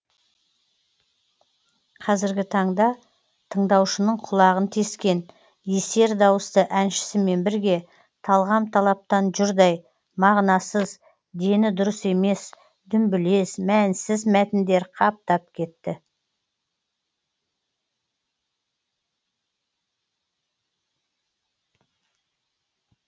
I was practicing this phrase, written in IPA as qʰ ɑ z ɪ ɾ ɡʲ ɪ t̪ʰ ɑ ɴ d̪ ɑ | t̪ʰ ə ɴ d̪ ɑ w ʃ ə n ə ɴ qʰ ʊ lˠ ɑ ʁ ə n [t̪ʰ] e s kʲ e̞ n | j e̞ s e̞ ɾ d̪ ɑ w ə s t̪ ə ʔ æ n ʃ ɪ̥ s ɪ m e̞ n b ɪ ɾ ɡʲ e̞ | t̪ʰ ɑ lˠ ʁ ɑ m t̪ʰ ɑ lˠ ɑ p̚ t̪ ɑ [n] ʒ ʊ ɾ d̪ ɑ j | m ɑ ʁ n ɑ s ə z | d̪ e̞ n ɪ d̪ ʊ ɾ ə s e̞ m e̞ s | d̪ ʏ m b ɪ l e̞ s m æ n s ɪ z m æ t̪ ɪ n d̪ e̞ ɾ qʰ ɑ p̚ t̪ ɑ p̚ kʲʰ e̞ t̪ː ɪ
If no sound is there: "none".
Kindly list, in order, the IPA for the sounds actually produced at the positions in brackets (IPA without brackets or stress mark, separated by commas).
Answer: t̪ʰ, n